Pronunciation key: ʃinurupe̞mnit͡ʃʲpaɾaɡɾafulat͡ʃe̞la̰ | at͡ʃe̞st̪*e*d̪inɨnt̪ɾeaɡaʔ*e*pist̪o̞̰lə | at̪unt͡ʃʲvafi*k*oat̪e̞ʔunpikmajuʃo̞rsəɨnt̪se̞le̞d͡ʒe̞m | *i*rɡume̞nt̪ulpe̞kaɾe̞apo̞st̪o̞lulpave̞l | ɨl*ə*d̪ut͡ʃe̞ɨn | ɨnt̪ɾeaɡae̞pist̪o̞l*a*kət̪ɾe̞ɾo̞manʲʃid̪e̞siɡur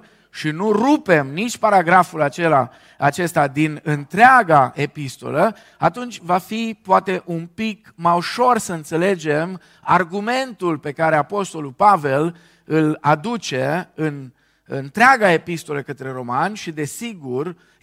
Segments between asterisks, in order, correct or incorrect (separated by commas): incorrect, correct, incorrect, incorrect, incorrect, incorrect